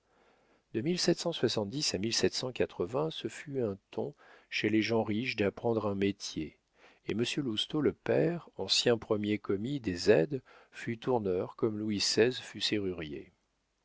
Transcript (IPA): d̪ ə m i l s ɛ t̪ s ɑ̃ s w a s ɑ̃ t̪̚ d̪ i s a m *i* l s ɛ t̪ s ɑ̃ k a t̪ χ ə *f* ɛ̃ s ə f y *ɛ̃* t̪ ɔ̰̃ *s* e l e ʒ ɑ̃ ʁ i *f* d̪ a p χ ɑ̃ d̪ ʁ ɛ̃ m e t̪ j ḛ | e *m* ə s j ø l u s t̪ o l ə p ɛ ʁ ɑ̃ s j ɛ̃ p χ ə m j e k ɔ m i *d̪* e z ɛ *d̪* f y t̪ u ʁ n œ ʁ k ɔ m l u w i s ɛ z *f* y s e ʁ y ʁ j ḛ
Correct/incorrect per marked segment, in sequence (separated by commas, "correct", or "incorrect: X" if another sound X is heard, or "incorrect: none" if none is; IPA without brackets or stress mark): correct, incorrect: v, correct, incorrect: ʃ, incorrect: ʃ, correct, correct, correct, correct